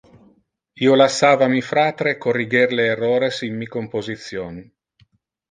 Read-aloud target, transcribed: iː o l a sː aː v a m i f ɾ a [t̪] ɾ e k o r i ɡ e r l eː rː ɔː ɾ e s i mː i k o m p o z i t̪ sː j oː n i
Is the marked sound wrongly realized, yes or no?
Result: no